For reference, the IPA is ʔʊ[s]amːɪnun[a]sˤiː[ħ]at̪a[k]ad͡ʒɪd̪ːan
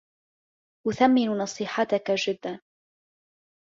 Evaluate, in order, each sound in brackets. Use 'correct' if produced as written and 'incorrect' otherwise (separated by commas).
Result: incorrect, incorrect, correct, correct